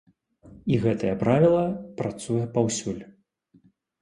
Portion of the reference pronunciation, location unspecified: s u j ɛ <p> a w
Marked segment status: correct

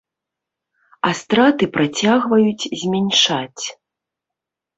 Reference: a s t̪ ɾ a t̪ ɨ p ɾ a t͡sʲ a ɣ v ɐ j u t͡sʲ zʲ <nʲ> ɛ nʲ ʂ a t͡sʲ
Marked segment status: incorrect: mʲ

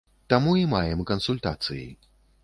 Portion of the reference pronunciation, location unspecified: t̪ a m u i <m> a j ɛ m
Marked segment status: correct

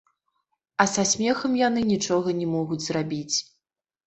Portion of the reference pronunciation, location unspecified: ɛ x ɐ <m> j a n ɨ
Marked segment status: correct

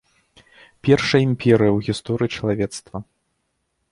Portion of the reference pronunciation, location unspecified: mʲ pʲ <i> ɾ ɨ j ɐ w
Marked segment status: incorrect: ɛ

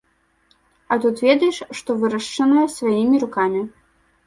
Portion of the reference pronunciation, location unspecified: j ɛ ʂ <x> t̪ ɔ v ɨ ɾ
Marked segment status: incorrect: ʂ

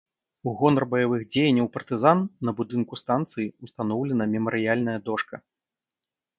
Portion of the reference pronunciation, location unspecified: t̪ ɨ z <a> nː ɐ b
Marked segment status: correct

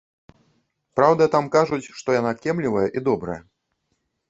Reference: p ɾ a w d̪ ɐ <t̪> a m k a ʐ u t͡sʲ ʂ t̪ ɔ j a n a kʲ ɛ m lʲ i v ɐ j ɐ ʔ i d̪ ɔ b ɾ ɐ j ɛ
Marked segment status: correct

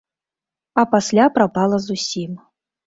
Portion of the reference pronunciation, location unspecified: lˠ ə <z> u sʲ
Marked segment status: correct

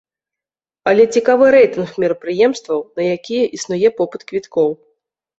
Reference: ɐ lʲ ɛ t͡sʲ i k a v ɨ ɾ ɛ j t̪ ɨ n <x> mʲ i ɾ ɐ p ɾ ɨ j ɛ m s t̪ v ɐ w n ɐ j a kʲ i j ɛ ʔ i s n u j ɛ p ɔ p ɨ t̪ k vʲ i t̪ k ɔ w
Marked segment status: correct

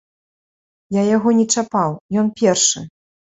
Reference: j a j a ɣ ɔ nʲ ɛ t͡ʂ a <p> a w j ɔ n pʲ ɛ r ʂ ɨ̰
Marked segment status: correct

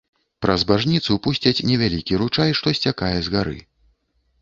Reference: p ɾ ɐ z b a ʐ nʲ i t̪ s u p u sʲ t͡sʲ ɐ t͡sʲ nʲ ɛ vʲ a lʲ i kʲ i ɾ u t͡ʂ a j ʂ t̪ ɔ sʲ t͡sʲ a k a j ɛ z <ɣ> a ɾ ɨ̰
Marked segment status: correct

